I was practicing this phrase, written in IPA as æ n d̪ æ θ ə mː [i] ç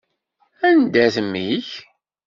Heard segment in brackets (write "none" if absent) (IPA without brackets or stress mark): i